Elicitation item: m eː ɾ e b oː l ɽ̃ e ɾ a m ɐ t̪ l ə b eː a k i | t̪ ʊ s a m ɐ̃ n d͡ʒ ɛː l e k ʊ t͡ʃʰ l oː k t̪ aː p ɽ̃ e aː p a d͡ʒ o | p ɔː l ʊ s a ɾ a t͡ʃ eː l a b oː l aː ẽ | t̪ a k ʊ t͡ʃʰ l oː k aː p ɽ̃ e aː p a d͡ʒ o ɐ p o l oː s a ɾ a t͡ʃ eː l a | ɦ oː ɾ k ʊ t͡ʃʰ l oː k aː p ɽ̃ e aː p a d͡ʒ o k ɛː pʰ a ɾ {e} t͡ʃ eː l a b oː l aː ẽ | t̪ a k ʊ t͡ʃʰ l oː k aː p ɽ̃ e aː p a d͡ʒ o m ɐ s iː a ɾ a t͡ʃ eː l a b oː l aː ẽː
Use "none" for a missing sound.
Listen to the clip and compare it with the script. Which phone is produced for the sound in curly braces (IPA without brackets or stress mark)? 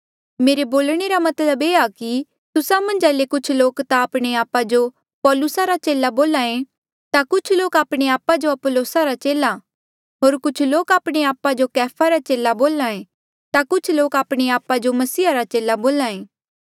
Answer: a